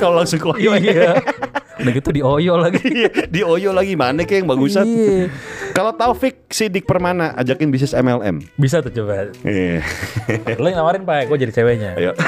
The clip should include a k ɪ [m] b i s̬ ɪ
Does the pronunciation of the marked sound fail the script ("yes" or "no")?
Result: yes